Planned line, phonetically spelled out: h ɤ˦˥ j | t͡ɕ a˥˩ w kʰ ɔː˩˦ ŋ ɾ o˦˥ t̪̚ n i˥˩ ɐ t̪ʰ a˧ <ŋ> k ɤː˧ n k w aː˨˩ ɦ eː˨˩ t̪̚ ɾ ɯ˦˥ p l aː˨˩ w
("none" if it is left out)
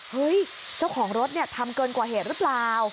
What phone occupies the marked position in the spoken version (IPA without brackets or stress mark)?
m